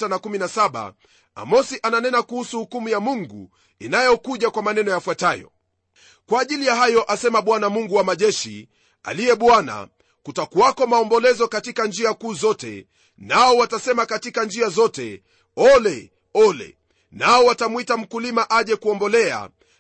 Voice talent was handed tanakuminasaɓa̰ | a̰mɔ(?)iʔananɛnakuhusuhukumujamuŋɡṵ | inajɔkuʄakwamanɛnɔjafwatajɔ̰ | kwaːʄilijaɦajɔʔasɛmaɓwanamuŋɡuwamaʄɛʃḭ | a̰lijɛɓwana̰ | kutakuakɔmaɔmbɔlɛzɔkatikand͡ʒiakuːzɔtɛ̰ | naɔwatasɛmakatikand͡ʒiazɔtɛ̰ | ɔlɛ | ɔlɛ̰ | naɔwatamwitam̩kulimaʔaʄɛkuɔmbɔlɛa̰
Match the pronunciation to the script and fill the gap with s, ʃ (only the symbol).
s